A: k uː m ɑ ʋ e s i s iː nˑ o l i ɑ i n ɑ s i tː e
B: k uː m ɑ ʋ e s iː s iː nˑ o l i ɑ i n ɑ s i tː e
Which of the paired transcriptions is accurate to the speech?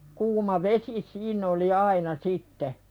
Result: A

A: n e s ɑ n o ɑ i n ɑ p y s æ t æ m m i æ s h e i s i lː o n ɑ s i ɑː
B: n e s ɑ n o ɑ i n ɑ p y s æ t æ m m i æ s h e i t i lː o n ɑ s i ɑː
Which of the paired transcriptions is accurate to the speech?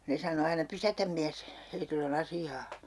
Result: B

